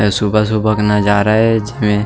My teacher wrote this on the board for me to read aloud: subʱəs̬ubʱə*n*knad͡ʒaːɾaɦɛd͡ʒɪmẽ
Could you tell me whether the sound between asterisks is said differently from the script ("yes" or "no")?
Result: yes